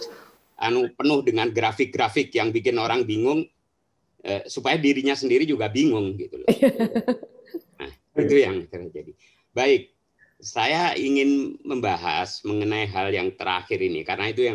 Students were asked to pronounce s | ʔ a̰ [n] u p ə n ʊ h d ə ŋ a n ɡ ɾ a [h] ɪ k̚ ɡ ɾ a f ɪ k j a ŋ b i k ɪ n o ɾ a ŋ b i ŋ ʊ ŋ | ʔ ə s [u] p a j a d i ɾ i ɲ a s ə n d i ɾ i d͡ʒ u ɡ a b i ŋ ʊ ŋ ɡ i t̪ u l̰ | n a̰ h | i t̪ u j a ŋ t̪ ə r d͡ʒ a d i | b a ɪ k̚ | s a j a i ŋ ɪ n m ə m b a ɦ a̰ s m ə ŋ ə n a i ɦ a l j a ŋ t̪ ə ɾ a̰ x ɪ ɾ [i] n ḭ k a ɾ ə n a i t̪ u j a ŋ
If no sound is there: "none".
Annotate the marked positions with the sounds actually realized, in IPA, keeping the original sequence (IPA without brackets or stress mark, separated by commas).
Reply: n, f, u, i